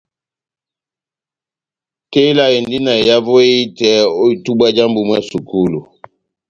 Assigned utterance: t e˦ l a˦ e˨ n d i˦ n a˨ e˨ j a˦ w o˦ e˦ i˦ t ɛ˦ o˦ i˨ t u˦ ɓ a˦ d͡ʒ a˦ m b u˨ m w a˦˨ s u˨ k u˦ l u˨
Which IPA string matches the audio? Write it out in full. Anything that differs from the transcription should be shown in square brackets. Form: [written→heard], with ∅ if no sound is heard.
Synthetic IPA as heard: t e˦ l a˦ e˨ n d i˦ n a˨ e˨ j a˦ [w→v] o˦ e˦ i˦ t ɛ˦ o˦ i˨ t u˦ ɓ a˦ d͡ʒ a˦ m b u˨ m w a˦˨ s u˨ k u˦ l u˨